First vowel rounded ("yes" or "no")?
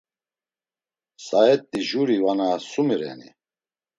no